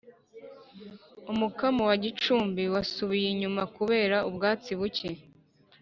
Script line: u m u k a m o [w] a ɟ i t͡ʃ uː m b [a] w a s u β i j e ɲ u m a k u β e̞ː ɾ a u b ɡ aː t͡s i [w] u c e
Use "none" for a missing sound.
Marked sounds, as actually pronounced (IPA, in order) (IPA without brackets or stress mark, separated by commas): w, i, β